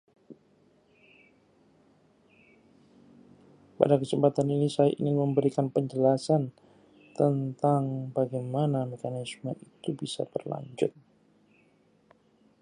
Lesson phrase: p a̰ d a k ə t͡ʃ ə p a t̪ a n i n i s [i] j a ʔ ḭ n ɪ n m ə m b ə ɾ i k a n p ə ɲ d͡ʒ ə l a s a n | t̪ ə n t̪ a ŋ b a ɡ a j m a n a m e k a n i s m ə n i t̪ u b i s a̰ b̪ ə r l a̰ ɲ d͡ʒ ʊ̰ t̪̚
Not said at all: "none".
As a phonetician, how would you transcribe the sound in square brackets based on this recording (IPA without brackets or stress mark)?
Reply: a